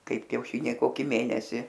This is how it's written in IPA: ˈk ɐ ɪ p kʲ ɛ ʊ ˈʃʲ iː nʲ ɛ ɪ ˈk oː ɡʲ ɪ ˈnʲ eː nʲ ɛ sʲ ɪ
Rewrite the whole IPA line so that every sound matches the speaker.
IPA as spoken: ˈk ɐ ɪ p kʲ ɛ ʊ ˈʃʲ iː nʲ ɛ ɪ ˈk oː kʲ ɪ ˈmʲ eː nʲ ɛ sʲ ɪ